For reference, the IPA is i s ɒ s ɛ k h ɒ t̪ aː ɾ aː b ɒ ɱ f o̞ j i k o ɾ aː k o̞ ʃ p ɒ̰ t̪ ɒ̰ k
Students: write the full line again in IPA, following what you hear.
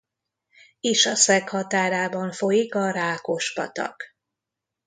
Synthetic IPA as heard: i ʃ ɒ s ɛ k h ɒ t̪ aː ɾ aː b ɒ ɱ f o̞ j i k ɒ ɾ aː k o̞ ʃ p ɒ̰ t̪ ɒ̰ k